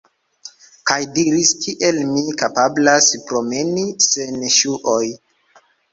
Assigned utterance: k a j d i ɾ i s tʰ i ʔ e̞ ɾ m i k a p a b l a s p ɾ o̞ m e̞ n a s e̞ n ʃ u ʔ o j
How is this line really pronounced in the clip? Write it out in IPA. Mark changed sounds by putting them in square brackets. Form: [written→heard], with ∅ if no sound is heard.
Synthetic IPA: k a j d i ɾ i s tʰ i ʔ e̞ [ɾ→l] m i k a p a b l a s p ɾ o̞ m e̞ n [a→i] s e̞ n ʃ u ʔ o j